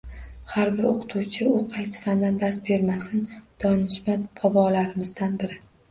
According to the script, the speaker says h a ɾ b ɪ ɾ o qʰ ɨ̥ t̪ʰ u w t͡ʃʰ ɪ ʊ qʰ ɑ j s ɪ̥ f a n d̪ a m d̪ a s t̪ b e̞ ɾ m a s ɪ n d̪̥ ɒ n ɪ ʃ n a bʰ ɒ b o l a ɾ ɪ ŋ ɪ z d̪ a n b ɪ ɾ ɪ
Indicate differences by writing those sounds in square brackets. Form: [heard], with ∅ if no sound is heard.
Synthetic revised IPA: h a ɾ b ɪ ɾ o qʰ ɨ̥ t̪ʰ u w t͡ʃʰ ɪ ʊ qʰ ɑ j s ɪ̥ f a n d̪ a [n] d̪ a s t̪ b e̞ ɾ m a s ɪ n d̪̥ ɒ n ɪ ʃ [m] a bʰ ɒ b [ɒ] l a ɾ ɪ [m] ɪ z d̪ a n b ɪ ɾ ɪ